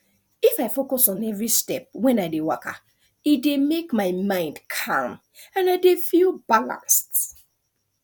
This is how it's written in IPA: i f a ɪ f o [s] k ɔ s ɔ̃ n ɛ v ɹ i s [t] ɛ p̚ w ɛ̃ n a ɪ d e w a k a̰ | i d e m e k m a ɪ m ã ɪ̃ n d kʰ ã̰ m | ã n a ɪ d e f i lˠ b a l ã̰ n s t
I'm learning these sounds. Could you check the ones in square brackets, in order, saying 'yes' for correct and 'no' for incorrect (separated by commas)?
no, yes